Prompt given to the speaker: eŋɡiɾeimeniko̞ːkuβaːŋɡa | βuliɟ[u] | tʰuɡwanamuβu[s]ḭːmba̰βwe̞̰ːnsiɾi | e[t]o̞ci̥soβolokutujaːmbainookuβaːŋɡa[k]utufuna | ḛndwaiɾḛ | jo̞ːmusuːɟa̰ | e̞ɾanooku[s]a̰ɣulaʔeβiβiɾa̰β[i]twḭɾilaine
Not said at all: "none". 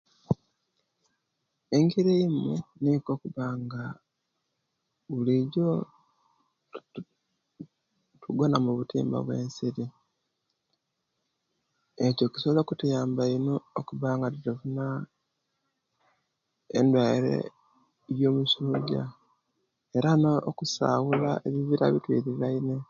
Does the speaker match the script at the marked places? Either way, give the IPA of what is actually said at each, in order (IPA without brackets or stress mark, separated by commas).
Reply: o, t, c, t, s, i